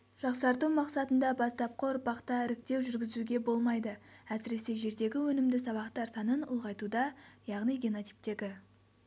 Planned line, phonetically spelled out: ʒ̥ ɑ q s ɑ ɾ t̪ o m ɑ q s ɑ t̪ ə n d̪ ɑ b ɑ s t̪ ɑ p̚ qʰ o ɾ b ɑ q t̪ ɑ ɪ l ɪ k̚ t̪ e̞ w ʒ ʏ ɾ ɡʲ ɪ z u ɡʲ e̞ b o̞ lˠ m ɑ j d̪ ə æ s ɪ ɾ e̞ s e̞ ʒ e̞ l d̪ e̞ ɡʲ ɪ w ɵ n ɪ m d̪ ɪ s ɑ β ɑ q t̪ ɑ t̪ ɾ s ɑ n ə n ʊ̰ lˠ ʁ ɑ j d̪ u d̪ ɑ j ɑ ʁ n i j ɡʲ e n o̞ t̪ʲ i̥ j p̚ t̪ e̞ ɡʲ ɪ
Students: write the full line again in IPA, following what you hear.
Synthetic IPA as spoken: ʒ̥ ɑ q s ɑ ɾ t̪ u m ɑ q s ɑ t̪ ə n d̪ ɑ b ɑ s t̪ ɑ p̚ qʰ o ɾ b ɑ q t̪ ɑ ɪ ɾ ɪ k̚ t̪ e̞ w ʒ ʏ ɾ ɡʲ ɪ z u ɡʲ e̞ b o̞ lˠ m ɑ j d̪ ə æ s ɪ ɾ e̞ s e̞ ʒ e̞ ɾ d̪ e̞ ɡʲ ɪ w ɵ n ɪ m d̪ ɪ s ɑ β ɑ q t̪ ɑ ɾ s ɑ n ə n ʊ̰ lˠ ʁ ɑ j t̪ u d̪ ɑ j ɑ ʁ n i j ɡʲ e n o̞ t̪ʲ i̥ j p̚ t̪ e̞ ɡʲ ɪ